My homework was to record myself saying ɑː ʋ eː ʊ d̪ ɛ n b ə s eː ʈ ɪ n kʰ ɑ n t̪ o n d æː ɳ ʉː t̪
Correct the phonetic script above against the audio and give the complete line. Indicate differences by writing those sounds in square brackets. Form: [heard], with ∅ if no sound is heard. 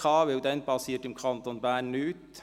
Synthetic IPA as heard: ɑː ʋ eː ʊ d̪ ɛ n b [ɑ] s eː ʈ ɪ [m] kʰ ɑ n t̪ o n [b] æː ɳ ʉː t̪

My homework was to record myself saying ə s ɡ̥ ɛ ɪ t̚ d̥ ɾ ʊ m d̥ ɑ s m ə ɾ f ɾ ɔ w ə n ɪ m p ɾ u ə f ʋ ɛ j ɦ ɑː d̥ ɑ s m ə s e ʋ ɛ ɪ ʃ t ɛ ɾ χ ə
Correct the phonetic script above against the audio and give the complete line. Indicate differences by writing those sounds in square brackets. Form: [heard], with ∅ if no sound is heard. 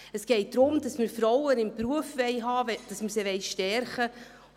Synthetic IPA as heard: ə s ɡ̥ ɛ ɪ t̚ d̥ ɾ ʊ m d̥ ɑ s m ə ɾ f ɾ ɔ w ə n ɪ m p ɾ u ə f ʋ ɛ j ɦ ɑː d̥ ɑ s m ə s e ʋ ɛ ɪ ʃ t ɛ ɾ χ ə

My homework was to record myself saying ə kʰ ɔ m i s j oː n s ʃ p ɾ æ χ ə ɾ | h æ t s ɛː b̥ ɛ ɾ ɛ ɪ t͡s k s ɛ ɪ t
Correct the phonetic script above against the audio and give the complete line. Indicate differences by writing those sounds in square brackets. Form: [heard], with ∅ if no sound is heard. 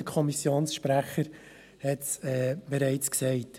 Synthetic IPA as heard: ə kʰ ɔ m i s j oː n s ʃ p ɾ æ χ ə ɾ | h [ɛ] t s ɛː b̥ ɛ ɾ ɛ ɪ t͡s k s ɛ ɪ t

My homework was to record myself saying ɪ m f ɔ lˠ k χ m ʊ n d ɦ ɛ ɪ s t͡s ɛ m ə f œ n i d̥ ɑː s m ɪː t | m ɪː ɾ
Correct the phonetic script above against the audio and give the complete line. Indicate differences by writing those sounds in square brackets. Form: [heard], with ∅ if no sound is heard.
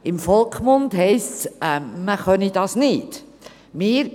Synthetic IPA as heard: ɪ m f ɔ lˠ k χ m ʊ n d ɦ ɛ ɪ s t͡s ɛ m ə [χ] œ n i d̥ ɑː s [n] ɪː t | m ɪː ɾ

